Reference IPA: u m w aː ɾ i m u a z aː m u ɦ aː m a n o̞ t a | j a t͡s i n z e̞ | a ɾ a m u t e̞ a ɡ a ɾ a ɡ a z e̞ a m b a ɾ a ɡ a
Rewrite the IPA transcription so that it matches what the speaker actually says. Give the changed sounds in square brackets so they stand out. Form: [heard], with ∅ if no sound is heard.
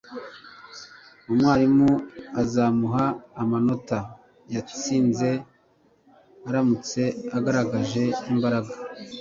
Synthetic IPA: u m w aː ɾ i m u a z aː m u ɦ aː m a n o̞ t a | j a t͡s [iː] n z e̞ | a ɾ a m u [t͡s] e̞ a ɡ a ɾ a ɡ a [ʒ] e̞ [i] m b a ɾ a ɡ a